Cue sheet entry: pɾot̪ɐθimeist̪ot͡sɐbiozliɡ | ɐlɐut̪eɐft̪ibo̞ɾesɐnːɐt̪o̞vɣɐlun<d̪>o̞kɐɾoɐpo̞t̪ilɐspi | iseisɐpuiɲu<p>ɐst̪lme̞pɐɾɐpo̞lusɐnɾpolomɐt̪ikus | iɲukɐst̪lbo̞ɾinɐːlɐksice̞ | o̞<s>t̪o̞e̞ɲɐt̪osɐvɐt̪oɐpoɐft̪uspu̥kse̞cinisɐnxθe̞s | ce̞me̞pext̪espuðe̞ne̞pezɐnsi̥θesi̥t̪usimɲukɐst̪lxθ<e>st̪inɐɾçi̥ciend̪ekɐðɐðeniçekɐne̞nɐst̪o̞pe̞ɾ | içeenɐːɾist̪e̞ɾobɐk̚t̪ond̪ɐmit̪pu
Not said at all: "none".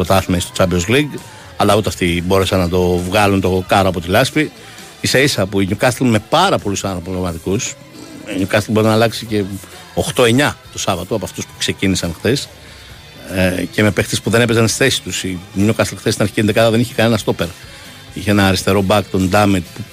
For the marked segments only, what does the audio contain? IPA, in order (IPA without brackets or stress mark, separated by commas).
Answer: t̪, k, x, e